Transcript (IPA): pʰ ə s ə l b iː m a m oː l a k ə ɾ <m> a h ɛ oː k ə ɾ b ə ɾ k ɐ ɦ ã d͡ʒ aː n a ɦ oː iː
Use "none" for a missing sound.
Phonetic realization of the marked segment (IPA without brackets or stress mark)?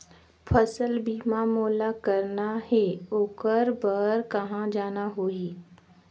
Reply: n